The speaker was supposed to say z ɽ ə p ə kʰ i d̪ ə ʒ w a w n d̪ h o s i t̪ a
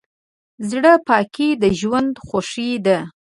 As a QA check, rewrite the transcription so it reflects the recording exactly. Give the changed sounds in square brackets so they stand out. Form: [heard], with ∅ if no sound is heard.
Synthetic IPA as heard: z ɽ ə p [ɑ] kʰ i d̪ ə ʒ w a [∅] n d̪ [x] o [ʂ] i [d̪] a

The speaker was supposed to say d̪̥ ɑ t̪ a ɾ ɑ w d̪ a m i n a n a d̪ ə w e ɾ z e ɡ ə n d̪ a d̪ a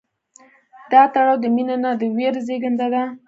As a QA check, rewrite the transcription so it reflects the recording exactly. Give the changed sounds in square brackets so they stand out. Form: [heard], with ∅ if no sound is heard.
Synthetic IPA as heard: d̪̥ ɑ t̪ a [ɽ] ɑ w d̪ [ə] m i n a n a d̪ ə w e ɾ z e ɡ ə n d̪ a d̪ a

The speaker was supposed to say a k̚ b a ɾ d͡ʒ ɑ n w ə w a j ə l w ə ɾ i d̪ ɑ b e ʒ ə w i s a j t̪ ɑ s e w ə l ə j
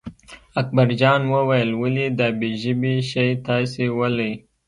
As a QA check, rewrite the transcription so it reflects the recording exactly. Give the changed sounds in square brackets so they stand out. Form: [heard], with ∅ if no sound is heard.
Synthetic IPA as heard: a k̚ b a ɾ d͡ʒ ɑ n w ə w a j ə l w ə [l] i d̪ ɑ b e ʒ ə [b] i [ʃ] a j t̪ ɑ s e w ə l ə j

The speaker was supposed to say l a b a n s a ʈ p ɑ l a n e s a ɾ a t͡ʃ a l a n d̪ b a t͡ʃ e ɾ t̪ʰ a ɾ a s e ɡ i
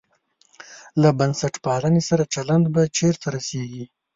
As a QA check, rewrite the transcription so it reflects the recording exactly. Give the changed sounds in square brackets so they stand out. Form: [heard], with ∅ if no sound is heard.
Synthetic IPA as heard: l a b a n s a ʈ p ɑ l a n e s a ɾ a t͡ʃ a l a n d̪ b a t͡ʃ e ɾ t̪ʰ a ɾ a s e ɡ i

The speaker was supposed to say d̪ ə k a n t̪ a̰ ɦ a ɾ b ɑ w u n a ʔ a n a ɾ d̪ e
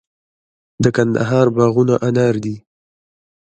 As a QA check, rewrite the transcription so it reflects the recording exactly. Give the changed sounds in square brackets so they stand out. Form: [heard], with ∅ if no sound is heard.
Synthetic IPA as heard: d̪ ə k a n [d̪] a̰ ɦ [ɑ] ɾ b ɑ [ɣ] u n a ʔ a n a ɾ d̪ [i]

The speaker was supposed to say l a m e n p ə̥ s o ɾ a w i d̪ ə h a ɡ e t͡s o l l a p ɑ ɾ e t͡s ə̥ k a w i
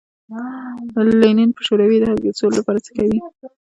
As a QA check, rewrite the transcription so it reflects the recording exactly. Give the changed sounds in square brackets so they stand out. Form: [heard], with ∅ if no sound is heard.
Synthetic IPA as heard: l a [n] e n p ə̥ [ʃ] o ɾ a w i d̪ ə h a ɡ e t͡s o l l a p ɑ ɾ [a] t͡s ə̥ k a w i

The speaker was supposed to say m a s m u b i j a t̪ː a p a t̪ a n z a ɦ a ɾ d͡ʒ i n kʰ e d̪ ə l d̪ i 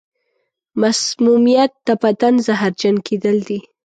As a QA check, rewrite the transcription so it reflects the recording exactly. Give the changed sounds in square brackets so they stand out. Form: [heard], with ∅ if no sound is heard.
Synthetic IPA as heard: m a s m u [m] i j a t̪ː a p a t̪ a n z a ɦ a ɾ d͡ʒ [a] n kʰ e d̪ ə l d̪ i

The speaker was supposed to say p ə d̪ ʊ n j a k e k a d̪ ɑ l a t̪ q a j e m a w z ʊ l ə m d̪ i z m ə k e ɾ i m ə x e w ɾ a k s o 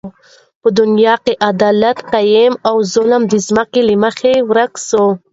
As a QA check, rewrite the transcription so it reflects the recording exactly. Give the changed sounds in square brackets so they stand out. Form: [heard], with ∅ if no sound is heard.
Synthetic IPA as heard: p ə d̪ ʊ n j [ɑ] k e [ʔ] a d̪ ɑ l a t̪ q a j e m a w z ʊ l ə m d̪ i z m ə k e [l] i m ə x e w ɾ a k s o

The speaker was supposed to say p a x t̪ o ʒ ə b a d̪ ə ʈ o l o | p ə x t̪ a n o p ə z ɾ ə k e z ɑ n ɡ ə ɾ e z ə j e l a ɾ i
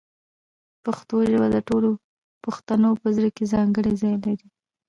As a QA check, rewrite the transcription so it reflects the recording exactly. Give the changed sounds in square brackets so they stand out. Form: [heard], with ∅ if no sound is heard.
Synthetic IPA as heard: p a x t̪ o ʒ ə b a d̪ ə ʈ o l o | p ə x t̪ a n o p ə z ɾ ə k e z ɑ [ŋ] ɡ ə [ɽ] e z [ɑ] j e l a ɾ i

